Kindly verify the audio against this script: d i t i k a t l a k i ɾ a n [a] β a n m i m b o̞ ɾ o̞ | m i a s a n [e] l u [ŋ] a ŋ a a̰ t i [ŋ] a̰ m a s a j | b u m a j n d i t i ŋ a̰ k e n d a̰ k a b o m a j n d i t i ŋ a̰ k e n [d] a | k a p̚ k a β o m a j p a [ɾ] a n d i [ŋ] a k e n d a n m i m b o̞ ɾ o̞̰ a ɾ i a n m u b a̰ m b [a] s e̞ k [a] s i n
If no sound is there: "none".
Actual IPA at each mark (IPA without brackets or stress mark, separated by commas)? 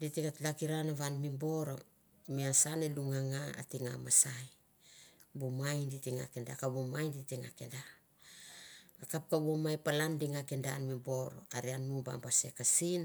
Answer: a, e, ŋ, ŋ, d, l, ŋ, a, a